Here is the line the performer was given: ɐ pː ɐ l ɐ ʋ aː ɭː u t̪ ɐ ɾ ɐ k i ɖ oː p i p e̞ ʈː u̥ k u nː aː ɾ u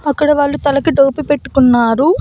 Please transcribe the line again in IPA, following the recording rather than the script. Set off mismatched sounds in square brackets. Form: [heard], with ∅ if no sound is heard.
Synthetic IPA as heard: ɐ [kː] ɐ [ɽ] ɐ ʋ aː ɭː u t̪ ɐ [l] ɐ k i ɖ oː p i p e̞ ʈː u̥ k u nː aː ɾ u